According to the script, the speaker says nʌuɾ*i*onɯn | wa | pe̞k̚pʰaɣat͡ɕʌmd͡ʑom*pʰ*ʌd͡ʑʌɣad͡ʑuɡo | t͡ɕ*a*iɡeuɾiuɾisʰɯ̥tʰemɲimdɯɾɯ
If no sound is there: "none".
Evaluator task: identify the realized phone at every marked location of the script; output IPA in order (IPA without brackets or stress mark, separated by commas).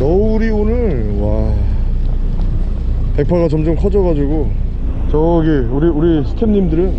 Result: i, kʰ, ʌ